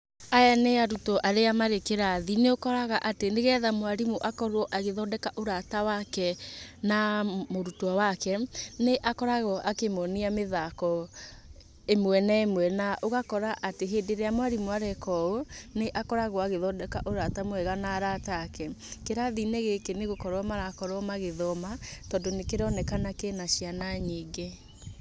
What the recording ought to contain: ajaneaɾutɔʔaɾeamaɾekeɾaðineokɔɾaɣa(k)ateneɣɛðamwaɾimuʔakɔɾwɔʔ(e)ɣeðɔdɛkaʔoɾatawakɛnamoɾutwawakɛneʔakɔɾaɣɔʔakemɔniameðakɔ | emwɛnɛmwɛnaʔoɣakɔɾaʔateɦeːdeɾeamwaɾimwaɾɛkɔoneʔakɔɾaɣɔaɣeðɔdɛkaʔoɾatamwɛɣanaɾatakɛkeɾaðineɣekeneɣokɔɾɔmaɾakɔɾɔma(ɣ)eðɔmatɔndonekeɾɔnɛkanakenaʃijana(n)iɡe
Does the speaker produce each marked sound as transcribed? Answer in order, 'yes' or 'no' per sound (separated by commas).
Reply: no, no, yes, no